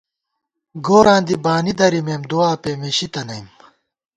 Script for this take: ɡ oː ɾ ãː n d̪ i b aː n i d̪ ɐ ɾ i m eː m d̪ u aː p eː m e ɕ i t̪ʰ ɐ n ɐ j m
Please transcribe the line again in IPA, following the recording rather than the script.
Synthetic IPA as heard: ɡ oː ɾ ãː n d̪ i b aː n i d̪ ɐ ɾ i m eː m d̪ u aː p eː m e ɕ i t̪ ɐ n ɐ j m